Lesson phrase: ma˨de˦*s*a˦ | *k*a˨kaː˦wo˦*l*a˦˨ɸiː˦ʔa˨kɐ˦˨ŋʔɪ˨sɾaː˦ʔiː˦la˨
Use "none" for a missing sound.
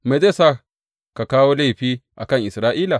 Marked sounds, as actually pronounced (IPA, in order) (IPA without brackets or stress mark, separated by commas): s, k, l